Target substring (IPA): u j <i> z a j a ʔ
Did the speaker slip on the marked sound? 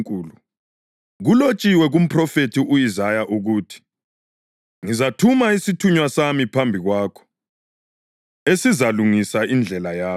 no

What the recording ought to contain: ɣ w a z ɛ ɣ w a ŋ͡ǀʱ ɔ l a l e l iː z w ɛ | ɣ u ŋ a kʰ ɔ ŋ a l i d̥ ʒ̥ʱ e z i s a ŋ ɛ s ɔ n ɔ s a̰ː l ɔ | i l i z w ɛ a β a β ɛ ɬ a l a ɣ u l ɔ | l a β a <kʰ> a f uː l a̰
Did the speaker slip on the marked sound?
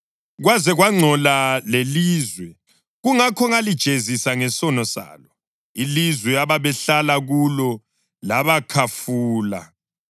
no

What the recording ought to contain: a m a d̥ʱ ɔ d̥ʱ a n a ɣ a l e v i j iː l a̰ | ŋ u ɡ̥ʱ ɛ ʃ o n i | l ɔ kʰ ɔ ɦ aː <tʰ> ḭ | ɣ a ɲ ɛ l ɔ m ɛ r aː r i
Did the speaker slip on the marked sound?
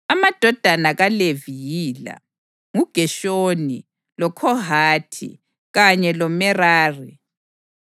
no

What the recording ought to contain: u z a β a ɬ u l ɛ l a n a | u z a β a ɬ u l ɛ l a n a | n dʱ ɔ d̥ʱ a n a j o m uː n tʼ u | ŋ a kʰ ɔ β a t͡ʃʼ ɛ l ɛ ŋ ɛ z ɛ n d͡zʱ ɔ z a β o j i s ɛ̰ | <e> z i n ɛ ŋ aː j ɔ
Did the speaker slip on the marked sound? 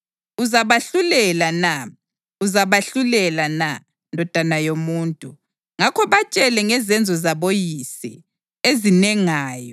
no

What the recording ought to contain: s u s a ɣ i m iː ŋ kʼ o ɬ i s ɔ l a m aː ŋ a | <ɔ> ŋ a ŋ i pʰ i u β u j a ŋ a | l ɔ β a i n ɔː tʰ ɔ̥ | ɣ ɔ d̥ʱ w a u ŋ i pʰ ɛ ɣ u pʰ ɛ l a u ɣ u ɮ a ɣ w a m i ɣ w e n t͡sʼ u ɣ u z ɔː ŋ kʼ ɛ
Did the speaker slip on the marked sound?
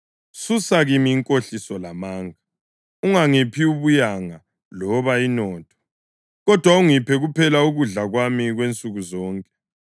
yes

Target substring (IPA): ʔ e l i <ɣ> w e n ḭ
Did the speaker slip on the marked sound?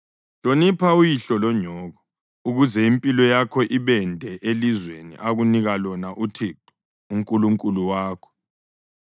yes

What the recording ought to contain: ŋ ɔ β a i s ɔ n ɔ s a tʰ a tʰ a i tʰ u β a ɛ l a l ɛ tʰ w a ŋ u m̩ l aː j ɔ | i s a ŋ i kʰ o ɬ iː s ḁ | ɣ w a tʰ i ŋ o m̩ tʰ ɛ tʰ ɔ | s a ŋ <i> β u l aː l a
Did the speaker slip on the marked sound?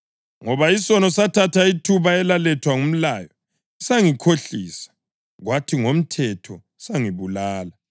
no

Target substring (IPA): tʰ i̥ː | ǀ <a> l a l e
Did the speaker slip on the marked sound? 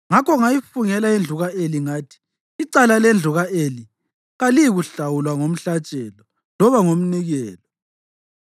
no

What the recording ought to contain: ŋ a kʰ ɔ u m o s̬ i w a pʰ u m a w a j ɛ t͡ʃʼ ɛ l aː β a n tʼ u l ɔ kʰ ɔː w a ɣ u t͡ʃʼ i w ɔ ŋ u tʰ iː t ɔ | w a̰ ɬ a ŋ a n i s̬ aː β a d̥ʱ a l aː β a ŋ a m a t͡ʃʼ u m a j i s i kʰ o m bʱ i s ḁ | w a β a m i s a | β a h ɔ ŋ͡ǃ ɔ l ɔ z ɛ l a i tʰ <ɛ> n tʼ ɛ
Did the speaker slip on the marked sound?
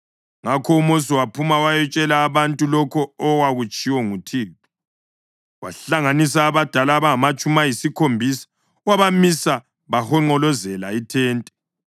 yes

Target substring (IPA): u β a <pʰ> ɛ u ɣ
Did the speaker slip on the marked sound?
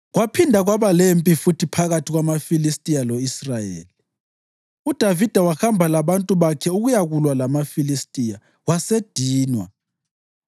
yes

